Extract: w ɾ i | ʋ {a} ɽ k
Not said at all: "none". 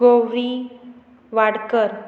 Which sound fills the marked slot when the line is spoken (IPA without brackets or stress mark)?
a